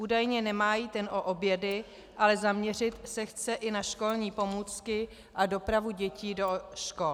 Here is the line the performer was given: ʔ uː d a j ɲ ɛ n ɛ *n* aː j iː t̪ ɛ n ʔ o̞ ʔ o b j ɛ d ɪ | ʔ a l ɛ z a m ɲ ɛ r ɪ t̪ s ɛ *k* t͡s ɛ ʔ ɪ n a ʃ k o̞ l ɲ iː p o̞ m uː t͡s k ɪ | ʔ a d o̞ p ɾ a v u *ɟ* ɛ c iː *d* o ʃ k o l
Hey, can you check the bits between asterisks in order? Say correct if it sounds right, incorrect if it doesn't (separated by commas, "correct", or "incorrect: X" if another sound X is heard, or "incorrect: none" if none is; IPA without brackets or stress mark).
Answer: incorrect: m, incorrect: x, correct, correct